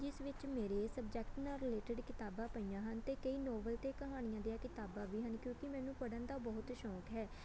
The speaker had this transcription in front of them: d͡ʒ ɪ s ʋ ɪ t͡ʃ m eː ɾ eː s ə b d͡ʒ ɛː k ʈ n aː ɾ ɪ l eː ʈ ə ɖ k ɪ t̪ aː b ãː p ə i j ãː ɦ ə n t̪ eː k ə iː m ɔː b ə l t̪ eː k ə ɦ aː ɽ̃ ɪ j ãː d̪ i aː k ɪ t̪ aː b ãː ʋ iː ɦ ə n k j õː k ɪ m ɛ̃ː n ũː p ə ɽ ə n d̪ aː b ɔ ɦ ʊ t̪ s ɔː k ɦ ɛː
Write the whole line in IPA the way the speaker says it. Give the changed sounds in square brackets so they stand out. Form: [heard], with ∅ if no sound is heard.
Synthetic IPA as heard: d͡ʒ ɪ s ʋ ɪ t͡ʃ m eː ɾ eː s ə b d͡ʒ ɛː k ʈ n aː ɾ ɪ l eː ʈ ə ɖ k ɪ t̪ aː b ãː p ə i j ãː ɦ ə n t̪ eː k ə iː [n] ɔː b ə l t̪ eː k ə ɦ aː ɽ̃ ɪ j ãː d̪ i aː k ɪ t̪ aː b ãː ʋ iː ɦ ə n k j õː k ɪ m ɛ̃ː n ũː p ə ɽ ə n d̪ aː b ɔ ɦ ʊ t̪ [ʃ] ɔː k ɦ ɛː